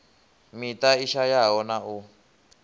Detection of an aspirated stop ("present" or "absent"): absent